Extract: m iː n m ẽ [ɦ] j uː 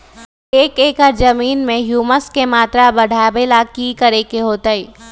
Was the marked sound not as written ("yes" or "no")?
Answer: no